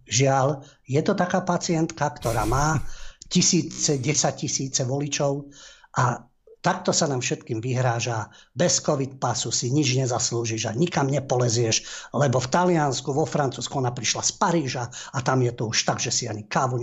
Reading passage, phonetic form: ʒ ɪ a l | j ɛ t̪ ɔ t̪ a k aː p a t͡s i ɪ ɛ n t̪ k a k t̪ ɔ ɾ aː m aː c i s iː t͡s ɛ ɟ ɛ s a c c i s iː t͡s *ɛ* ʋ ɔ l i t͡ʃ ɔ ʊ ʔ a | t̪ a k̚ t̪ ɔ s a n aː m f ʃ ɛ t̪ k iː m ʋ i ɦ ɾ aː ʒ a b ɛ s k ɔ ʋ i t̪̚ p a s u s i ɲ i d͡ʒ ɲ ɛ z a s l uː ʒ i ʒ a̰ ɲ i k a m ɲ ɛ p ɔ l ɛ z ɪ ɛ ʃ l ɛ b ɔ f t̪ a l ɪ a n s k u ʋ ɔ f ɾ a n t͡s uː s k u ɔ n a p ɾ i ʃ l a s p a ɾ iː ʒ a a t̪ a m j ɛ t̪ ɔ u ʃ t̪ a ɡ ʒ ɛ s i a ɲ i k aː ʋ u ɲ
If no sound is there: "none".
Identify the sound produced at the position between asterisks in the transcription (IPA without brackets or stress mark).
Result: ɛ